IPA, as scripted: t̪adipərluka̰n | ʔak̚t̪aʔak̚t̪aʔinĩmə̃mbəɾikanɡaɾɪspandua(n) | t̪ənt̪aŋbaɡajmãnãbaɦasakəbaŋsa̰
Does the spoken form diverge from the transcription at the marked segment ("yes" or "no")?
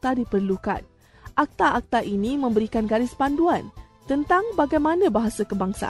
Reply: no